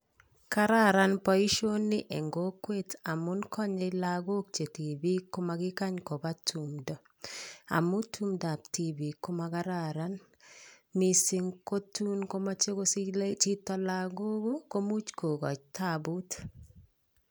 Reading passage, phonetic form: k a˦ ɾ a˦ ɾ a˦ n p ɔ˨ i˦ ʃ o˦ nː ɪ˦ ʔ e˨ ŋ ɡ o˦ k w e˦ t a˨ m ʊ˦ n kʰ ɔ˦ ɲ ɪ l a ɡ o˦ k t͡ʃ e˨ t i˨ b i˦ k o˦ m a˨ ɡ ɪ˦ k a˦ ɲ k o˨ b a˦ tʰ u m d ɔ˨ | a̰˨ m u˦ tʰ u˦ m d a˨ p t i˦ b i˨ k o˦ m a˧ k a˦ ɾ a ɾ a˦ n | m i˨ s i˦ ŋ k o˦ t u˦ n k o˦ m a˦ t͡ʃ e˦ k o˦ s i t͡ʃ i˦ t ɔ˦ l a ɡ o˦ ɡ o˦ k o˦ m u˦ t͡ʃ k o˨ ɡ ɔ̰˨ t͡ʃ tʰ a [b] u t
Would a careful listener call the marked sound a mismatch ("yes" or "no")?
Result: no